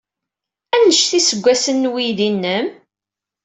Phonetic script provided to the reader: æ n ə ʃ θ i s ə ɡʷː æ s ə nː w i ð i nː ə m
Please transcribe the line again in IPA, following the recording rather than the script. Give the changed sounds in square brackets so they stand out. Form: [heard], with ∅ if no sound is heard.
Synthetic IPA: æ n ə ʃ θ i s ə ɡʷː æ s ə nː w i ð i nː ə m